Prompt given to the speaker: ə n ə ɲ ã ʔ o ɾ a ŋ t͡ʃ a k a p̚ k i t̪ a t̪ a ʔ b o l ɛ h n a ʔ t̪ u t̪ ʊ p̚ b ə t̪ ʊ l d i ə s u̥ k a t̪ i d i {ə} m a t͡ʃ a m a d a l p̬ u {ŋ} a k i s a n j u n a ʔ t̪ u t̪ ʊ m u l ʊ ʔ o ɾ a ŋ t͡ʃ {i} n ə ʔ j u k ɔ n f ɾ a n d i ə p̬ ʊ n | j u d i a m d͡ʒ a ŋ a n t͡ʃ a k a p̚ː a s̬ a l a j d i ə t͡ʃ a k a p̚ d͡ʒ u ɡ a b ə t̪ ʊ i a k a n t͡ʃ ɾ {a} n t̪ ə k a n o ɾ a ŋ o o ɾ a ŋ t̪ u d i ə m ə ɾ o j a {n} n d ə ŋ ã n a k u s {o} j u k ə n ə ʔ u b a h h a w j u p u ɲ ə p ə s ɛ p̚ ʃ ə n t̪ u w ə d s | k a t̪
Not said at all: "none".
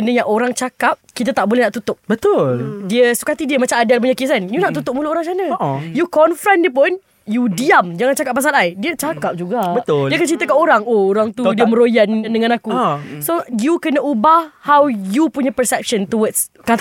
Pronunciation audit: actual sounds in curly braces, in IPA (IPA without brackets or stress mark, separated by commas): ə, ɲ, a, i, n, o